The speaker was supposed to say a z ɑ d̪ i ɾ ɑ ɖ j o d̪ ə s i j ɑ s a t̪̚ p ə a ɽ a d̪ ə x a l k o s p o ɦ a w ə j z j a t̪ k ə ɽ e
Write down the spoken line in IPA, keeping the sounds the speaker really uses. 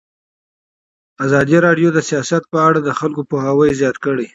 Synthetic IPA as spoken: a z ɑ d̪ i ɾ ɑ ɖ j o d̪ ə s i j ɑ s a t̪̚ p ə a ɽ a d̪ ə x a l k o p o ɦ a w ə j z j ɑ t̪ k ə ɽ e